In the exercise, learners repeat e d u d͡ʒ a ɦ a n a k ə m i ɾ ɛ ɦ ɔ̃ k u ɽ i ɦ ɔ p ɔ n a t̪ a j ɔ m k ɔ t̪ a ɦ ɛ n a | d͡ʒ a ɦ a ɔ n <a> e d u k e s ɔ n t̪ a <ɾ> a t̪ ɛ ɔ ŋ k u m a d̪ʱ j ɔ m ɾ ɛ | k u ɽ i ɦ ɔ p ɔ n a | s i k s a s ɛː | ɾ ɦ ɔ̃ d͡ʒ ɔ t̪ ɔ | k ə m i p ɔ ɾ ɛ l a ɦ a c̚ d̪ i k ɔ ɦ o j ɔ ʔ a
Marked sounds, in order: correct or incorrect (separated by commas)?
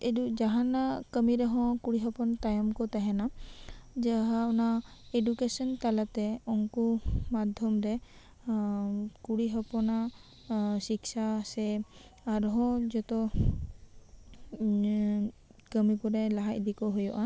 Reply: correct, incorrect